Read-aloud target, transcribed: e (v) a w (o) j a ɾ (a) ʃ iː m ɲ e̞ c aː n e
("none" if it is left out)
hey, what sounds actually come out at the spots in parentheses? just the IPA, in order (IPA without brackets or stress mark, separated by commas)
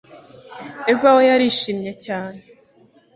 v, o, i